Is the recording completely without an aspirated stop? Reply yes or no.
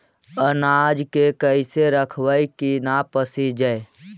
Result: no